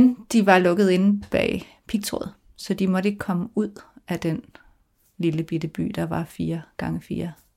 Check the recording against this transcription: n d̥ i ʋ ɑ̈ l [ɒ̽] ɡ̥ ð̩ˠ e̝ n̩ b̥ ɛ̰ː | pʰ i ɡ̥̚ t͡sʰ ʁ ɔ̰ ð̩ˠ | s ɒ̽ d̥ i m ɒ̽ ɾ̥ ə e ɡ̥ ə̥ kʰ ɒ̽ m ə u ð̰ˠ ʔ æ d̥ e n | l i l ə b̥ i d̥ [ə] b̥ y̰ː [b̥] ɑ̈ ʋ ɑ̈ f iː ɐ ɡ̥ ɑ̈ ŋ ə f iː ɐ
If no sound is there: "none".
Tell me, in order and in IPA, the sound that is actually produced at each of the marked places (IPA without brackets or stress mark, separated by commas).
ɔ̽, ə, d̥